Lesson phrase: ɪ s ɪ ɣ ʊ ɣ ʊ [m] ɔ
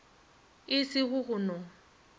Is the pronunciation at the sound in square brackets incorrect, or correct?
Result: incorrect